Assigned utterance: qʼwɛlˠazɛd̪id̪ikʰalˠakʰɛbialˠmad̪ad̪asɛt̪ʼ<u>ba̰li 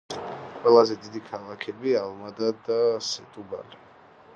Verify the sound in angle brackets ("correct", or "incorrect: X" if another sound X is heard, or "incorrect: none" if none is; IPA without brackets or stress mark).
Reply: correct